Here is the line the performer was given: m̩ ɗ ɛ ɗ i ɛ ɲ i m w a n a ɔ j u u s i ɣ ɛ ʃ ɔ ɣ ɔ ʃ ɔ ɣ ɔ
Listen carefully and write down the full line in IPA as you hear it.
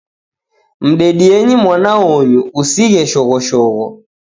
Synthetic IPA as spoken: m̩ ɗ ɛ ɗ i ɛ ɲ i m w a n a ɔ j u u s i ɣ ɛ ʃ ɔ ɣ ɔ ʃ ɔ ɣ ɔ